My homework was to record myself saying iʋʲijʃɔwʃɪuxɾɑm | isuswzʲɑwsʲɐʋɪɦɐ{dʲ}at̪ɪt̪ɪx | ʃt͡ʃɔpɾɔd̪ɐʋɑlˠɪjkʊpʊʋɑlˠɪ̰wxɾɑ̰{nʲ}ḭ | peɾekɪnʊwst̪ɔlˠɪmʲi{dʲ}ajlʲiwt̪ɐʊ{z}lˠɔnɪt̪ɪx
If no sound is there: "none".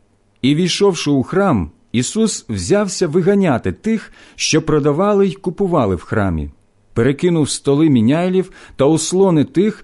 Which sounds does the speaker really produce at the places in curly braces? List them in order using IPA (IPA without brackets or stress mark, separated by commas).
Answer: nʲ, mʲ, nʲ, s